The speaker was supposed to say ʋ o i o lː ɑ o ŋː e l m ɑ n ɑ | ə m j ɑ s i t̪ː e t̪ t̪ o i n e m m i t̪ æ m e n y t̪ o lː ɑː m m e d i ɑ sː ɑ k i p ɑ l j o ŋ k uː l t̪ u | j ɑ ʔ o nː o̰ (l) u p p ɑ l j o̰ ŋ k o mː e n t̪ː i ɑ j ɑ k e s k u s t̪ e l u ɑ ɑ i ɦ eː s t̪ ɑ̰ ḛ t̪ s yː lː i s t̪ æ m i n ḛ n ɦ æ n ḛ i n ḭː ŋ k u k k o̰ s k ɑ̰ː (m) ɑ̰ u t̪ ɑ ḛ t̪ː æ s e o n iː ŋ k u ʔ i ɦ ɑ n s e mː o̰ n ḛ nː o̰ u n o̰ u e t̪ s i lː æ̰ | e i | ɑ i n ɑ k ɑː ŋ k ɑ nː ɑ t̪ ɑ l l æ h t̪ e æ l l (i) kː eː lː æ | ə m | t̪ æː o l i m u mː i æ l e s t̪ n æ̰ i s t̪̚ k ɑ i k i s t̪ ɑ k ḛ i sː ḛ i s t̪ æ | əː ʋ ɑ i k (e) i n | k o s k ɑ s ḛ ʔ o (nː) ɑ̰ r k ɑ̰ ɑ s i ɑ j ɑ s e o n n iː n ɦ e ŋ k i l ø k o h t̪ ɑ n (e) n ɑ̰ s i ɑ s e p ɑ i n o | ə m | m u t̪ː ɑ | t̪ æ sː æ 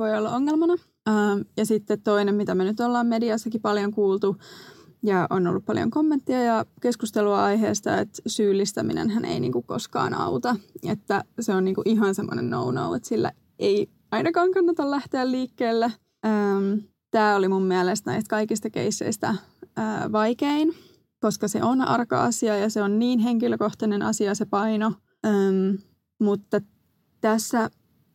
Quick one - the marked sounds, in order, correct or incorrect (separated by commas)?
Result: incorrect, incorrect, incorrect, correct, incorrect, correct